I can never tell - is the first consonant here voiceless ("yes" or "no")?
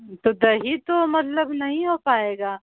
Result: yes